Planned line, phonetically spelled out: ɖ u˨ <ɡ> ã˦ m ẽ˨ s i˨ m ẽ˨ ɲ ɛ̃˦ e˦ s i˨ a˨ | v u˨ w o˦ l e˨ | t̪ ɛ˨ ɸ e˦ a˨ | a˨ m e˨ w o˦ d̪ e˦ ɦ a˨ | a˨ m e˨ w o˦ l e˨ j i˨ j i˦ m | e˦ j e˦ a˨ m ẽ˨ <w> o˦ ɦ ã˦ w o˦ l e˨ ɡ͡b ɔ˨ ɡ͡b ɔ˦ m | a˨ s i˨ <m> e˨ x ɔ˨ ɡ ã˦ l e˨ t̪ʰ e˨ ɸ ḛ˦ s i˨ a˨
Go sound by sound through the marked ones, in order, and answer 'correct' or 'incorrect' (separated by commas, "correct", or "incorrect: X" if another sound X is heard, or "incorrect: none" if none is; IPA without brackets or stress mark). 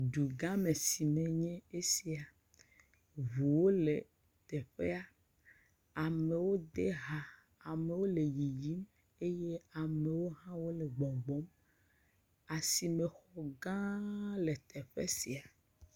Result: correct, correct, correct